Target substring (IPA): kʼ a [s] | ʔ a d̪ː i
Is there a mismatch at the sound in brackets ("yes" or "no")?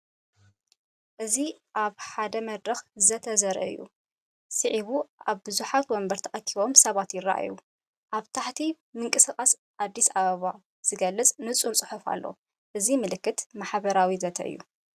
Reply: no